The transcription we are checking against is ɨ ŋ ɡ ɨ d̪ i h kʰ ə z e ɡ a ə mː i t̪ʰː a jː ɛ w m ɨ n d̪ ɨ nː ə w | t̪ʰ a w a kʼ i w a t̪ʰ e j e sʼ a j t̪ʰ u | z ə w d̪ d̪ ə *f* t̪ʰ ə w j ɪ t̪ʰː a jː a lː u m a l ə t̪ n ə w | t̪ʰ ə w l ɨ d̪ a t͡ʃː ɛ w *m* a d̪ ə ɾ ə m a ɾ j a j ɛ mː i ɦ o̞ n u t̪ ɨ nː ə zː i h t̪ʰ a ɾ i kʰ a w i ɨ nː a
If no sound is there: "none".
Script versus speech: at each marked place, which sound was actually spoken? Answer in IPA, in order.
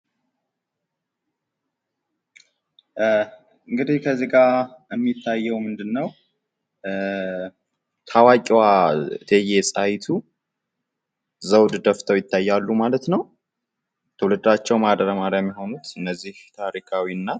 f, m

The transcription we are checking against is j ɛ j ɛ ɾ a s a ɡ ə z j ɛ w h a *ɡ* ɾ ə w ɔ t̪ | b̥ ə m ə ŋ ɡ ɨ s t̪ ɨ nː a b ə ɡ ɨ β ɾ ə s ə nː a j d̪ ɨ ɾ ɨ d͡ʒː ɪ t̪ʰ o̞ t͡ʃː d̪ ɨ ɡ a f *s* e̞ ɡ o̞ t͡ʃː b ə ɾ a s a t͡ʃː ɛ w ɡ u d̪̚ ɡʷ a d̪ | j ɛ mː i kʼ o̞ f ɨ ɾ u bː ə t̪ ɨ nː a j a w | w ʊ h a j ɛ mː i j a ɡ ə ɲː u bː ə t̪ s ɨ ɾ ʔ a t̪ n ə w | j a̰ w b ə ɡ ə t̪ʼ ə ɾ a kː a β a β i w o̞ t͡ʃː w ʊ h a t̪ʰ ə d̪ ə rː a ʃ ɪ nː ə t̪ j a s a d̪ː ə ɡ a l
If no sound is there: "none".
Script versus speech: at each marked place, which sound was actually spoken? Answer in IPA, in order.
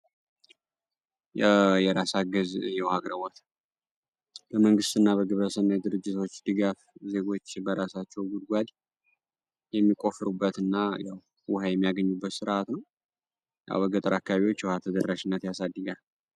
ɡ, z

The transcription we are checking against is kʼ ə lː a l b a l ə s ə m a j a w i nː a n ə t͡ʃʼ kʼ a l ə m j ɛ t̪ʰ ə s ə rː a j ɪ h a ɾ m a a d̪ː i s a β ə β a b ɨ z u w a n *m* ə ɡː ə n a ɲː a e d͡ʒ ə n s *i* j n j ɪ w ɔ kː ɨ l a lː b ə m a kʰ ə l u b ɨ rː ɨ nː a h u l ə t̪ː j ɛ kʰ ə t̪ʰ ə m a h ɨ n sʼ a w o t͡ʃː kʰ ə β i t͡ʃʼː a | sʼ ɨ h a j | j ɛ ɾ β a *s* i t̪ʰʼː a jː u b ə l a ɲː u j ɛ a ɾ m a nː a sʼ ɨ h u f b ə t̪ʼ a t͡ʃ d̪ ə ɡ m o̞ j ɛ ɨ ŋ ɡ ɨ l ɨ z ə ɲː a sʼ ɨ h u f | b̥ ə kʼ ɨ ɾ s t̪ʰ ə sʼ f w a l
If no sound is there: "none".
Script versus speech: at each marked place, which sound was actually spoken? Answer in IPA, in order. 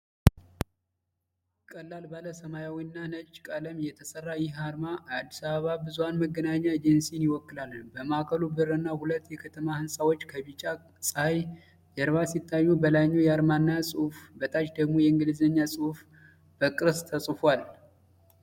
m, i, s

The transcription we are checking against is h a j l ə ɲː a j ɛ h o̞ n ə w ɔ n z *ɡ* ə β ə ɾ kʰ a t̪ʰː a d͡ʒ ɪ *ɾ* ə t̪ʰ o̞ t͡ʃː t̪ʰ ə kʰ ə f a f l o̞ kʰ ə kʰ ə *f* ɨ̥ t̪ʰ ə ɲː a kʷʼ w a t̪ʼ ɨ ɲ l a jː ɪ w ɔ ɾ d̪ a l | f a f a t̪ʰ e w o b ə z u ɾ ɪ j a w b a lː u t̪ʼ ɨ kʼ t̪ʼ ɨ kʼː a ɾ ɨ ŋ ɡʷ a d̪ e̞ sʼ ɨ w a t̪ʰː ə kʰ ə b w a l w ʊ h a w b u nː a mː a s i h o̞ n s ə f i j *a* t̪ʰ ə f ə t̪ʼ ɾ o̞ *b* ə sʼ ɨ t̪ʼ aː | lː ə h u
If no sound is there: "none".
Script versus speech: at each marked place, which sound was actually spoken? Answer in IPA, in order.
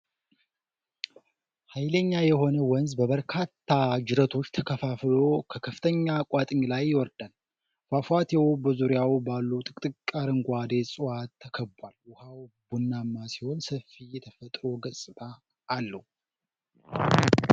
b, ɾ, f, ɛ, ɡ

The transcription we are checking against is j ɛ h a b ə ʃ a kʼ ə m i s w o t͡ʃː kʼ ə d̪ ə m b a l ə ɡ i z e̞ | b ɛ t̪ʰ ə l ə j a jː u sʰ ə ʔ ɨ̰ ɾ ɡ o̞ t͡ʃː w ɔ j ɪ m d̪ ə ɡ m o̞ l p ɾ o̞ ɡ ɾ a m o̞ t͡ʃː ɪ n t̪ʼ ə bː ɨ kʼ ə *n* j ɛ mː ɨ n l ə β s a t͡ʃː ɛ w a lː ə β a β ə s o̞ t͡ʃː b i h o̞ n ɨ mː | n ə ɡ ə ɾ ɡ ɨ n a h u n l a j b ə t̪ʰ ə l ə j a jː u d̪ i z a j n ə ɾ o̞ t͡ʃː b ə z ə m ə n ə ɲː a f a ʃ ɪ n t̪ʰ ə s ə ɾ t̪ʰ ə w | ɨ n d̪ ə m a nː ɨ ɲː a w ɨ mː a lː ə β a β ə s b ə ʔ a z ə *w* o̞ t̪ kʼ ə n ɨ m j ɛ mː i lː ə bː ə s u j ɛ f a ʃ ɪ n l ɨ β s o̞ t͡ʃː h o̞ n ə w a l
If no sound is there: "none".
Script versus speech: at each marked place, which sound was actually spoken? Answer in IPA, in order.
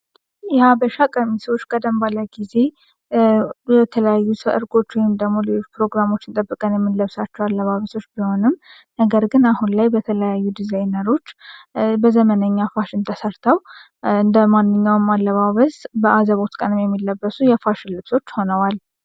n, β

